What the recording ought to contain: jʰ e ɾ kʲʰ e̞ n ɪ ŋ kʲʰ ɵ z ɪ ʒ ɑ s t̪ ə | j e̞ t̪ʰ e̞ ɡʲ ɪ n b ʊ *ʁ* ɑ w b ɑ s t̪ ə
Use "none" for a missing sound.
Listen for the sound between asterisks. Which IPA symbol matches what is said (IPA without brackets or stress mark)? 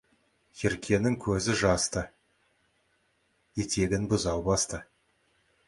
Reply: z